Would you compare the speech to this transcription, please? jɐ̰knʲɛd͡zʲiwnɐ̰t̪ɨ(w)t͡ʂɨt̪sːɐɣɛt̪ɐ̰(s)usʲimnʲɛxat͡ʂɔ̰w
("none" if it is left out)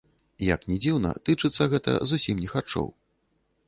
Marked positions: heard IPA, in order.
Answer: none, z

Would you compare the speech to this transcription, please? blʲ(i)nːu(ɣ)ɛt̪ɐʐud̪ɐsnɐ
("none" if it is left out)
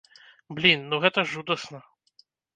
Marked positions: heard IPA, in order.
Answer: i, ɣ

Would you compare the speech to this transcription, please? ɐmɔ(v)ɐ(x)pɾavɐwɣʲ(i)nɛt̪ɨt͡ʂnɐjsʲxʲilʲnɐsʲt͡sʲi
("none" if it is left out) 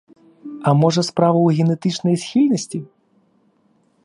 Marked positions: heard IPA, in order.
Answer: ʐ, s, ɛ

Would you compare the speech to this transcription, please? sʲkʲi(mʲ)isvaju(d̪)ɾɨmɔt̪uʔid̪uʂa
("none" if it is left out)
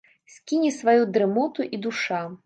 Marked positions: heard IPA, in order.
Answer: nʲ, d̪

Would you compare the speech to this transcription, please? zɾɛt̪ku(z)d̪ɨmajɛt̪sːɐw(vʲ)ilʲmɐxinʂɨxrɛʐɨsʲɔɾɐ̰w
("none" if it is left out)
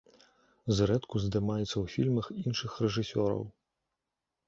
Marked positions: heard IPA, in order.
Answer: z, fʲ

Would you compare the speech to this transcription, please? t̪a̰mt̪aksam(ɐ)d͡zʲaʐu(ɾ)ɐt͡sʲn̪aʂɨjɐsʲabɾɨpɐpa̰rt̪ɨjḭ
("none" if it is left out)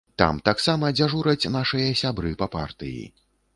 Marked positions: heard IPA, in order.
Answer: ɐ, ɾ

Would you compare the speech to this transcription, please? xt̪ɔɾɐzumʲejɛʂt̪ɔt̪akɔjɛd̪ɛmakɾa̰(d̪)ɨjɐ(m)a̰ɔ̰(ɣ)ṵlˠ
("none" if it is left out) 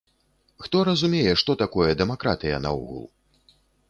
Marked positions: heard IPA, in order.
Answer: t̪, n, ɣ

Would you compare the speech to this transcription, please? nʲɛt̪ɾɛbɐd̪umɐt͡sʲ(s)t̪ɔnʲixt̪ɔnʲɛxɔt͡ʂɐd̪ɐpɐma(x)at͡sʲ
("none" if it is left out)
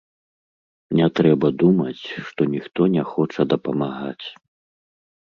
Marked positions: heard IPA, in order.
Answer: ʂ, ɣ

